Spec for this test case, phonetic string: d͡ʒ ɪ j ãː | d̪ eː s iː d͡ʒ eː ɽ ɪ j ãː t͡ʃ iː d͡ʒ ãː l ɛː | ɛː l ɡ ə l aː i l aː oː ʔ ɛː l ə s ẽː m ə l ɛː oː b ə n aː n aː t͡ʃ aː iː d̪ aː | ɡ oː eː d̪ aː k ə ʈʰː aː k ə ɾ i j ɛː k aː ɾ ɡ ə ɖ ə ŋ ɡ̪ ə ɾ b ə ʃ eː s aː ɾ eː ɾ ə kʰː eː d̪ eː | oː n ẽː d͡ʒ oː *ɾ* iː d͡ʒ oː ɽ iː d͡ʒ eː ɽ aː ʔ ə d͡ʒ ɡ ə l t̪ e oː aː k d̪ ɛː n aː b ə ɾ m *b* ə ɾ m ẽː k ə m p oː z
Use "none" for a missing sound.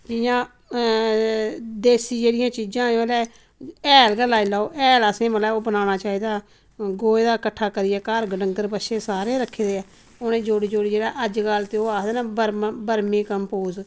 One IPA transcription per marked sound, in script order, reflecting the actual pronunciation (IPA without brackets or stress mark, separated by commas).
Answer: ɽ, b